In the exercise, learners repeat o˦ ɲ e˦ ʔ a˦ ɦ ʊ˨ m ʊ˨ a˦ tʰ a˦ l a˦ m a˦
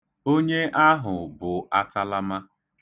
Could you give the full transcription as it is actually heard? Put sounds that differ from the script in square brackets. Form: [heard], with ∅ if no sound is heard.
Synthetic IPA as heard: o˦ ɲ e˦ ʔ a˦ ɦ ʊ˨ [b] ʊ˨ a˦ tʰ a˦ l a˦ m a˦